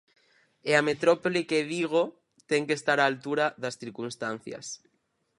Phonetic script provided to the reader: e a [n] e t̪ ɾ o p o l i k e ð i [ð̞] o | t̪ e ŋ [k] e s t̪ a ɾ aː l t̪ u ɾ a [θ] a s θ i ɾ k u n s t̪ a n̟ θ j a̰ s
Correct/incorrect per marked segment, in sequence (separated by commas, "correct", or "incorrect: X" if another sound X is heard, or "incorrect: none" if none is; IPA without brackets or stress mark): incorrect: m, incorrect: ɣ̞, correct, incorrect: ð